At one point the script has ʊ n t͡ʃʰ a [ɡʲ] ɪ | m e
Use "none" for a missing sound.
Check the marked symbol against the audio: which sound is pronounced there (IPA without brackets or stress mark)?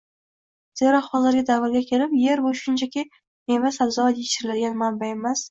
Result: kʲ